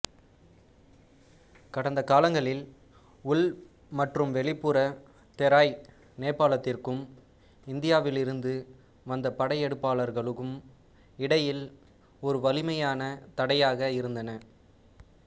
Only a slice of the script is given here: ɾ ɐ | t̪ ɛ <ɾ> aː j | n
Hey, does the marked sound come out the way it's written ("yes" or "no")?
yes